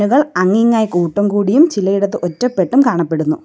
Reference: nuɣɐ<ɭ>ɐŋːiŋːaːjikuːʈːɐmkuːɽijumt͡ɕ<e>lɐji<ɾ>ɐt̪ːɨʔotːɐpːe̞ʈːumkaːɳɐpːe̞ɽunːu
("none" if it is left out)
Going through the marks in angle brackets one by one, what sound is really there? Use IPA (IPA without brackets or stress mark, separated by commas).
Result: ɭ, i, ɽ